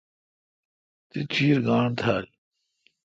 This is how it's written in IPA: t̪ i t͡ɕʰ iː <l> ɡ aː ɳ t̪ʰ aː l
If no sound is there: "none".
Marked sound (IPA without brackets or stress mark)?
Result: ɾ